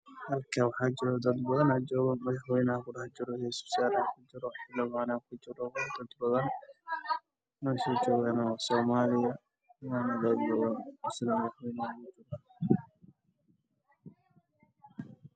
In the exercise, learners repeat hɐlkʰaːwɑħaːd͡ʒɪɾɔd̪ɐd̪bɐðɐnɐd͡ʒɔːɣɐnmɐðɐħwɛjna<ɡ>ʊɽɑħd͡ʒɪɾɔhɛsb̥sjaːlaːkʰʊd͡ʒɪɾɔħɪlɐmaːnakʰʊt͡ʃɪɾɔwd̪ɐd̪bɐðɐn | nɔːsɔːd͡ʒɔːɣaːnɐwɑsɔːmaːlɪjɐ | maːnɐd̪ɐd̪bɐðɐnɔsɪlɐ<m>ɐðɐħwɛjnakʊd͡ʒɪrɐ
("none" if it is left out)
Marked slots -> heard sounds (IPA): k, m

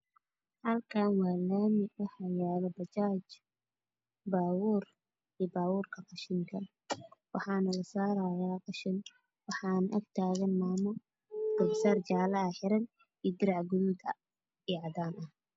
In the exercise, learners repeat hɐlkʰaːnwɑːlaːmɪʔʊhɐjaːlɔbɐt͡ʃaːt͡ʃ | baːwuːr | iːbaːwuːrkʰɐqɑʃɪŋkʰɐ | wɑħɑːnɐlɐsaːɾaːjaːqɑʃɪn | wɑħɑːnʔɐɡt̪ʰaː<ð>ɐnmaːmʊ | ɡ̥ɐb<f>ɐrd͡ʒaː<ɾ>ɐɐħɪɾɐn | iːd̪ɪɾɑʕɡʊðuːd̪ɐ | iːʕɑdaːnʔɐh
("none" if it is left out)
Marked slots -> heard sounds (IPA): ɣ, s, l

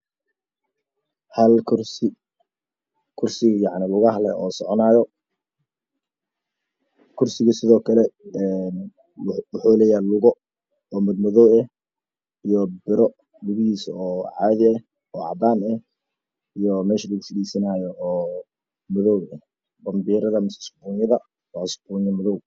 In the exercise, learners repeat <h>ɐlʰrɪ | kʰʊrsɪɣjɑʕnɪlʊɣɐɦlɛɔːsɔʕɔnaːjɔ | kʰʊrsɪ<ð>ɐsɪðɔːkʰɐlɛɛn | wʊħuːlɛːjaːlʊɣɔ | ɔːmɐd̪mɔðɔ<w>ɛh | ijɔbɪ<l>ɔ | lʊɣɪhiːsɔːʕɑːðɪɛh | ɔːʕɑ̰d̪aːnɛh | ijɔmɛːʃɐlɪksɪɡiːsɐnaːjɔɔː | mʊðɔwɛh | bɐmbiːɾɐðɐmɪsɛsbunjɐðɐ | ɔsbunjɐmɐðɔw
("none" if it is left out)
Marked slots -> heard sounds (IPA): h, ɣ, w, ɾ

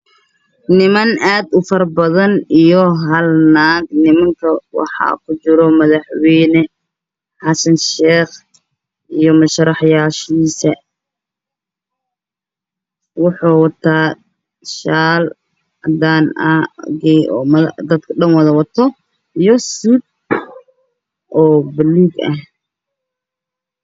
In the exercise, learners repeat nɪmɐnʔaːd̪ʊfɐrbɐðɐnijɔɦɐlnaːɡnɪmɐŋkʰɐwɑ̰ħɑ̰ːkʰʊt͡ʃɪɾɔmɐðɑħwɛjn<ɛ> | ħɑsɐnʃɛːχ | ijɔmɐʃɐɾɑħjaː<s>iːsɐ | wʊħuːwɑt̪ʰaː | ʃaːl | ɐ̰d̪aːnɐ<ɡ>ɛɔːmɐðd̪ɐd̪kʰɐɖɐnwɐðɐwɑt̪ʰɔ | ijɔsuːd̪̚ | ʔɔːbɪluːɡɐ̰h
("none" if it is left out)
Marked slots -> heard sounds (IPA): ɛ, ʃ, ɡ

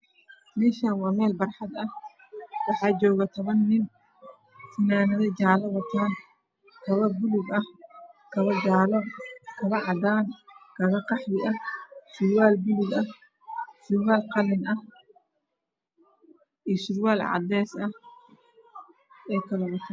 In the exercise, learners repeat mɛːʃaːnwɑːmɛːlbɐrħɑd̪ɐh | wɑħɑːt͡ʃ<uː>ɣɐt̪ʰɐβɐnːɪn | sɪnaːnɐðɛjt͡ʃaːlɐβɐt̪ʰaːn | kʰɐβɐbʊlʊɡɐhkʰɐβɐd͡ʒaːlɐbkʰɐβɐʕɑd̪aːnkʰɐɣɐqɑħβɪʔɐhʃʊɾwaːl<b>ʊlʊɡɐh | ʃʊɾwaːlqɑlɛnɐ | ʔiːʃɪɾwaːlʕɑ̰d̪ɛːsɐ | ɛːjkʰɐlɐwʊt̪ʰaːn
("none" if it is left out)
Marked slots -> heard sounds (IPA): ɔː, b

